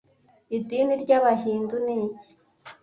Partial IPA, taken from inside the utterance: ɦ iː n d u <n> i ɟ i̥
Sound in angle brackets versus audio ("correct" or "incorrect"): correct